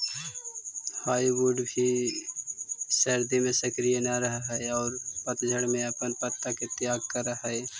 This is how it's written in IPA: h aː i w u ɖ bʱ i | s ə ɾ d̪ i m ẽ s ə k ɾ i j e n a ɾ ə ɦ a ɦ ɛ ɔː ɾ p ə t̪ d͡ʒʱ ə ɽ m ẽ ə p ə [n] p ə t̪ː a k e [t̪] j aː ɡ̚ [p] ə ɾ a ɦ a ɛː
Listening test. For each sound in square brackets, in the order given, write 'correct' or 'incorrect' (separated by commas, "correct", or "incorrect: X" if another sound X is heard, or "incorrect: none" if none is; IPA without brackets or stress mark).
correct, correct, incorrect: k